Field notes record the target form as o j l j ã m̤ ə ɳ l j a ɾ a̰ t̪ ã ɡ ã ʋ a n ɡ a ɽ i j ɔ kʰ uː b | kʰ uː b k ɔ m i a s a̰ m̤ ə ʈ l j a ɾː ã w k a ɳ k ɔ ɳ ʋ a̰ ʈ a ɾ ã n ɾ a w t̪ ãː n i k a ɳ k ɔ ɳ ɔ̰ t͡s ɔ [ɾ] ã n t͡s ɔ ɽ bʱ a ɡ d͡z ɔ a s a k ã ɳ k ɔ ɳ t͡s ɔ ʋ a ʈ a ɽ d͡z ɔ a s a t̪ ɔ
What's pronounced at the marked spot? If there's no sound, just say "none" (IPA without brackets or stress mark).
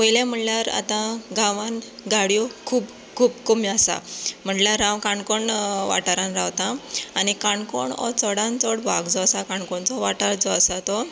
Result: ɽ